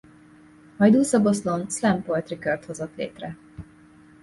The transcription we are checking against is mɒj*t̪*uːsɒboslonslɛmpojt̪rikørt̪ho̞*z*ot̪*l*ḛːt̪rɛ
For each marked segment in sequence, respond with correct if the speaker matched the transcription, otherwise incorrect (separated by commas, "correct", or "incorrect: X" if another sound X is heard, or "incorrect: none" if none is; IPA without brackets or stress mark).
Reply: incorrect: d̪, correct, correct